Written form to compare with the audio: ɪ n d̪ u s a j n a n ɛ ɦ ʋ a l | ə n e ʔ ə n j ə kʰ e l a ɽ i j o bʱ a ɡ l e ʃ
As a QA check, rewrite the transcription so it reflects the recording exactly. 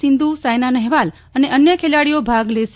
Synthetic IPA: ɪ n d̪ u s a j n a n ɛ ɦ ʋ a l | ə n e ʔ ə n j ə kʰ e l a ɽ i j o bʱ a ɡ l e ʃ